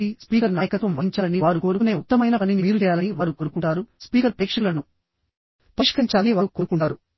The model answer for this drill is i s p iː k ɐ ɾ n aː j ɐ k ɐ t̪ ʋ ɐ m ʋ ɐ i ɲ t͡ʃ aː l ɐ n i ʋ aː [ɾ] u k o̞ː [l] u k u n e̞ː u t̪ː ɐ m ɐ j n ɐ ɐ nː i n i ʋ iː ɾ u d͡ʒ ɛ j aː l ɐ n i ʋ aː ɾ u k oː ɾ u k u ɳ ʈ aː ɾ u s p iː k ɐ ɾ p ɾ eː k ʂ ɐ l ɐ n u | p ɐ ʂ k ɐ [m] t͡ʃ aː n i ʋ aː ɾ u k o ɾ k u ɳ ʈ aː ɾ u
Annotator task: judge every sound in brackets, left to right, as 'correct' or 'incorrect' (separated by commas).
correct, incorrect, incorrect